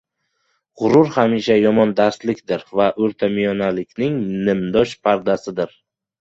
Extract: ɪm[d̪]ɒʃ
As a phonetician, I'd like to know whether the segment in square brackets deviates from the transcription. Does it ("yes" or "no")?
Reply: no